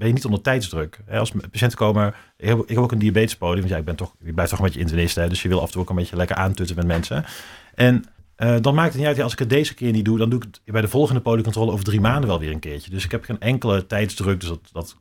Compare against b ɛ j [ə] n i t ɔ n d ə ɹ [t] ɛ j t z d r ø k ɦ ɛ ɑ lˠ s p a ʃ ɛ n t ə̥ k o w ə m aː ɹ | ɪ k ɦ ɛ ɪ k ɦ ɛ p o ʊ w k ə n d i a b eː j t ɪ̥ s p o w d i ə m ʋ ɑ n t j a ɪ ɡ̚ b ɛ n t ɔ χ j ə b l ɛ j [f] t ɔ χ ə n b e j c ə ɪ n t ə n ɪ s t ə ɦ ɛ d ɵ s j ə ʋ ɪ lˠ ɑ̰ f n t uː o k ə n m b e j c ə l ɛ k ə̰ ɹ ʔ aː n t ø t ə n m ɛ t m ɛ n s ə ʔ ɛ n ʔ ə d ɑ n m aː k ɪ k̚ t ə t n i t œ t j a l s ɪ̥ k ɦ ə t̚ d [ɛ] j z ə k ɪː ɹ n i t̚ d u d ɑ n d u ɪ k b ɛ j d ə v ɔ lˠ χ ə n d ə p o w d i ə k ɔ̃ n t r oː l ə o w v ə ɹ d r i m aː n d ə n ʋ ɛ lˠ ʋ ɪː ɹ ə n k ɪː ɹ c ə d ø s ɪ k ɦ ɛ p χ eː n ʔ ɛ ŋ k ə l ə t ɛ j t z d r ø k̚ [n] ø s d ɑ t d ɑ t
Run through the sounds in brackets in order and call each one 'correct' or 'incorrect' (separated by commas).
correct, correct, correct, incorrect, incorrect